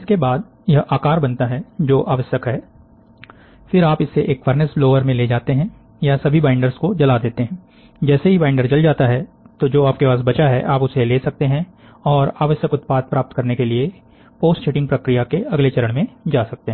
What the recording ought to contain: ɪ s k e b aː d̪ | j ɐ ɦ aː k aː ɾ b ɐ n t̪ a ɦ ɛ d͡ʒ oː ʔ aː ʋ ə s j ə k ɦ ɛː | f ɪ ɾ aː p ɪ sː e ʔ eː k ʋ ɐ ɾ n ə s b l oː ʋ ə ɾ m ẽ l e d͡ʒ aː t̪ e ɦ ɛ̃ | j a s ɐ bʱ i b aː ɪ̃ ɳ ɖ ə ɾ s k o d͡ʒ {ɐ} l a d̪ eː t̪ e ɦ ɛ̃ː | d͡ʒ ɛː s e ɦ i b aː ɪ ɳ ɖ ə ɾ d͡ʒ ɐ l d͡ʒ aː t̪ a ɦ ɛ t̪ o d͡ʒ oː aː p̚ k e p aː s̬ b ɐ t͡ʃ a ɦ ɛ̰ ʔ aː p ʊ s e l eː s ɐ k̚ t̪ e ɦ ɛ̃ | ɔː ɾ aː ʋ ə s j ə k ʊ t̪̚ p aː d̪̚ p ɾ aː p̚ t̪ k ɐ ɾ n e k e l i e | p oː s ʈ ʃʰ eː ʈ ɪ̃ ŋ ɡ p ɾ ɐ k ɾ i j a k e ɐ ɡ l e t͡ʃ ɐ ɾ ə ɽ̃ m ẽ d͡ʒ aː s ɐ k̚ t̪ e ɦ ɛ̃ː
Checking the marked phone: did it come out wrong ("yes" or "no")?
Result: no